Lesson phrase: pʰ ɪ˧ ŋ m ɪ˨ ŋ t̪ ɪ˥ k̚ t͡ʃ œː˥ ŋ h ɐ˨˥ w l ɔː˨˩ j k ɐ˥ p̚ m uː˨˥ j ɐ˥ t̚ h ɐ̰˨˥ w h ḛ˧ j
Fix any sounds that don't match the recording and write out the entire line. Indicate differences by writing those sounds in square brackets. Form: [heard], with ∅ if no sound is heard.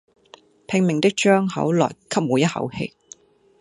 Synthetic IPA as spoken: pʰ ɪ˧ ŋ m ɪ˨ ŋ t̪ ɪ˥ k̚ t͡ʃ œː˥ ŋ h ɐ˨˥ w l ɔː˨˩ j [kʰ] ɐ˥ p̚ m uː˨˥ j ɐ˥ t̚ h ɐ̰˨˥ w h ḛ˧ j